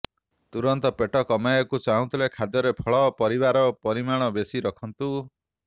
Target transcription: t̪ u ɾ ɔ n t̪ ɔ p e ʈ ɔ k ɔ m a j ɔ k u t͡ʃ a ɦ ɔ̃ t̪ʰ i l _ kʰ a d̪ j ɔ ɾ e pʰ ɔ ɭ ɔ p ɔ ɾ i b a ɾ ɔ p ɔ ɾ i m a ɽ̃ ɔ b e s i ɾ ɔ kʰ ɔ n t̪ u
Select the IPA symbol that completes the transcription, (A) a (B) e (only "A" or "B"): B